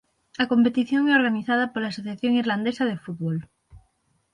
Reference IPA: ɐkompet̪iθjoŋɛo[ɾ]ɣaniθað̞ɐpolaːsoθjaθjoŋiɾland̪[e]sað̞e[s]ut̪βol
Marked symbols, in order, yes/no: yes, yes, no

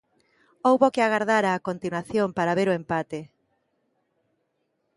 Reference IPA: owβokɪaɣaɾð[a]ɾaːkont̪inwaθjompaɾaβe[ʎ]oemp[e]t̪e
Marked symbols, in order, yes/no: yes, no, no

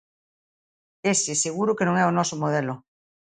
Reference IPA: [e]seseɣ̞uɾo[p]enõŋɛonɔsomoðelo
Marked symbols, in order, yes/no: yes, no

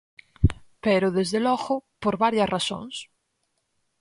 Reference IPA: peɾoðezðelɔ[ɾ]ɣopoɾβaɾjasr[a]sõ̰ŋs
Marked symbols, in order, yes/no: no, yes

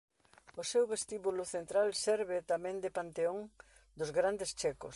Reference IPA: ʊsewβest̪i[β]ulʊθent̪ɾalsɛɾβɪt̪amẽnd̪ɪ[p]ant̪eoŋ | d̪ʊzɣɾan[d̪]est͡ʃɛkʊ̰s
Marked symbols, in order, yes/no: yes, yes, yes

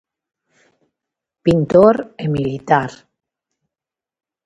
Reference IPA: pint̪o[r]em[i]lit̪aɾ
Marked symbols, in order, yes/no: no, yes

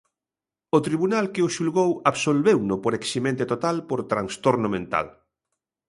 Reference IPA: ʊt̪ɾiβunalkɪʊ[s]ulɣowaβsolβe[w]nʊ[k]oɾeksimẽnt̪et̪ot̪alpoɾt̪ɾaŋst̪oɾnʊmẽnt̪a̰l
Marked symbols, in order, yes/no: no, yes, no

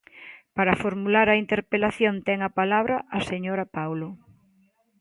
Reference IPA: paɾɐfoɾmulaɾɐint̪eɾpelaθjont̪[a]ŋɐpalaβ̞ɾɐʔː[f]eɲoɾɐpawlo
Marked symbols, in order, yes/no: no, no

